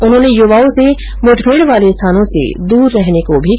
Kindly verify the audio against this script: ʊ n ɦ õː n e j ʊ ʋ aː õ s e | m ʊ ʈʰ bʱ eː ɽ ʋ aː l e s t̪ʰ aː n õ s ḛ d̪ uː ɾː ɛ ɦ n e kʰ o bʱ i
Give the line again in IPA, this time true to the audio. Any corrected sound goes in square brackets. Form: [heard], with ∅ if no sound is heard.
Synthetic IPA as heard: ʊ n ɦ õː n e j ʊ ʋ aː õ s e | m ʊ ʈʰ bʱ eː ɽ ʋ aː l e s t̪ʰ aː n õ s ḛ d̪ uː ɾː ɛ ɦ n e [k] o bʱ i